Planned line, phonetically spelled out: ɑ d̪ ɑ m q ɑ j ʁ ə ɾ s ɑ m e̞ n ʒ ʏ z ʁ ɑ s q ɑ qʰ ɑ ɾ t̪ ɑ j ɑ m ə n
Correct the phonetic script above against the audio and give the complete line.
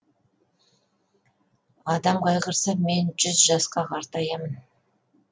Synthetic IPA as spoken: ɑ d̪ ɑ m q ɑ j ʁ ə ɾ s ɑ m e̞ n ʒ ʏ z ʒ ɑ s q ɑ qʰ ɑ ɾ t̪ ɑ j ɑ m ə n